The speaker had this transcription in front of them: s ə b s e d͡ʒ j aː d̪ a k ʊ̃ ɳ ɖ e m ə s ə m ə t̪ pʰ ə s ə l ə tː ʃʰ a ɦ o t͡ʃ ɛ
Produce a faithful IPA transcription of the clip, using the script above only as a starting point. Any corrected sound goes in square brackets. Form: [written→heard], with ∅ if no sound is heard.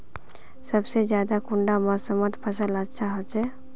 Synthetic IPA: s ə b s e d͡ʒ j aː d̪ a k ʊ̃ ɳ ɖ [e→a] m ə s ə m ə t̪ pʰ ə s ə l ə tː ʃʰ a ɦ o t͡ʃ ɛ